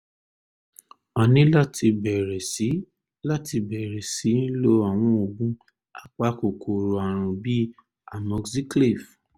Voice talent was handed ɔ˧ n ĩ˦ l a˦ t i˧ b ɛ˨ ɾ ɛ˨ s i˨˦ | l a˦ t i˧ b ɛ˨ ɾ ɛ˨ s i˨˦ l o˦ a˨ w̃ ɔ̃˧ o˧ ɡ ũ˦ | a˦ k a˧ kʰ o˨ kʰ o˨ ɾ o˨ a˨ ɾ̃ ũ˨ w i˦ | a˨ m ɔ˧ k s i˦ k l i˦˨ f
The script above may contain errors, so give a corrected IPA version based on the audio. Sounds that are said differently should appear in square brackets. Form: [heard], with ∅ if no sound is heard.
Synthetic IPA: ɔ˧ n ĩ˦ l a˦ t i˧ b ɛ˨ ɾ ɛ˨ s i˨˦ | l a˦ t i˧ b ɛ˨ ɾ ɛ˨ s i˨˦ l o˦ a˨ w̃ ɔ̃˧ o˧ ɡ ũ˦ | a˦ [k͡p] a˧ [k] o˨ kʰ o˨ ɾ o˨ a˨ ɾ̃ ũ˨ [b] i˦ | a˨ m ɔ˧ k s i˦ k l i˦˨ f